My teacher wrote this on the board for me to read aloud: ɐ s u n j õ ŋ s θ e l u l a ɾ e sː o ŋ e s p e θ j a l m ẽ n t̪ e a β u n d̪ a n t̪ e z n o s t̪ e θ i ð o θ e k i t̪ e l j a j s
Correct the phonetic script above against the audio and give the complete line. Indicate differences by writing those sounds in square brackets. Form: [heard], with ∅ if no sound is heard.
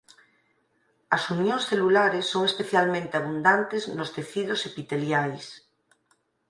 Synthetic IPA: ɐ s u n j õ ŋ s θ e l u l a ɾ e sː o ŋ e s p e θ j a l m ẽ n t̪ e a β u n d̪ a n t̪ e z n o s t̪ e θ i ð o [s] e [p] i t̪ e l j a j s

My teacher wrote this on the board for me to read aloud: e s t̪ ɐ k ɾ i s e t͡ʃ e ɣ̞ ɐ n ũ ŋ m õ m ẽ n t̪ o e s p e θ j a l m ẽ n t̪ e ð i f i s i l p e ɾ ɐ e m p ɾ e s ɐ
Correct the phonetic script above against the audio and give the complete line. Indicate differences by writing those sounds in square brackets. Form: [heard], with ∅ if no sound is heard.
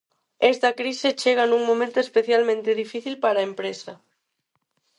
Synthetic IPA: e s t̪ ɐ k ɾ i s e t͡ʃ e ɣ̞ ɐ n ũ ŋ m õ m ẽ n t̪ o e s p e θ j a l m ẽ n t̪ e ð i f i [θ] i l p [a] ɾ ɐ e m p ɾ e s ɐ

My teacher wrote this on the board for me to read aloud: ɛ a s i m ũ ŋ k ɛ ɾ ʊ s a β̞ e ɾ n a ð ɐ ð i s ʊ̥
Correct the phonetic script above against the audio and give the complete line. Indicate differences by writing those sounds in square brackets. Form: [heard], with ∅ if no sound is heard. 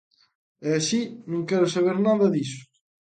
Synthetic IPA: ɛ a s i [n] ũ ŋ k ɛ ɾ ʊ s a β̞ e ɾ n a ð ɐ ð i s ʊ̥

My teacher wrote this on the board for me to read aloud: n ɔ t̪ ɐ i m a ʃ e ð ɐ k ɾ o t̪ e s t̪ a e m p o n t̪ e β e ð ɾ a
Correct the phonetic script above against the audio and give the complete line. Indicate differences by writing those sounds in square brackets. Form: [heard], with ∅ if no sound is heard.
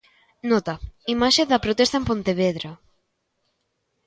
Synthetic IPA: n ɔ t̪ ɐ i m a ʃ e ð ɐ [p] ɾ o t̪ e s t̪ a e m p o n t̪ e β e ð ɾ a

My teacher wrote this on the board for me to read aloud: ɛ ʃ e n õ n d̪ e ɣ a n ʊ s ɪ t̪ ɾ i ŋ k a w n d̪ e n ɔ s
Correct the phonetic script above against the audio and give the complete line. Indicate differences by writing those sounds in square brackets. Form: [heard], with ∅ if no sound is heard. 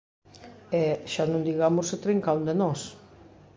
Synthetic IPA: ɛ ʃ [a] n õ n d̪ [i] ɣ a [m] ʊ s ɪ t̪ ɾ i ŋ k a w n d̪ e n ɔ s

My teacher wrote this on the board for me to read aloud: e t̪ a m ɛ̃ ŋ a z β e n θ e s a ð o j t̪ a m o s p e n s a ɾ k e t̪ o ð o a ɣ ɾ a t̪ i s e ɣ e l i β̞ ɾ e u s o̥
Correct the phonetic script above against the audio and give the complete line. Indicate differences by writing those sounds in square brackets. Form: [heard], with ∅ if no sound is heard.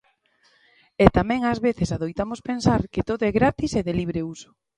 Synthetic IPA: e t̪ a m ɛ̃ ŋ a z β e [∅] θ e s a ð o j t̪ a m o s p e n s a ɾ k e t̪ o ð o [ɛ] ɣ ɾ a t̪ i s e [ð] e l i β̞ ɾ e u s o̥

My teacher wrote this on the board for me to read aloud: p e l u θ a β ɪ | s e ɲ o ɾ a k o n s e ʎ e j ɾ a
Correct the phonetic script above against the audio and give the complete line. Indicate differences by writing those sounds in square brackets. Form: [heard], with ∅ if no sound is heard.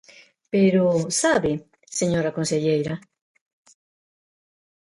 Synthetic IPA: p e [ɾ] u [s] a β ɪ | s e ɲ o ɾ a k o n s e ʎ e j ɾ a

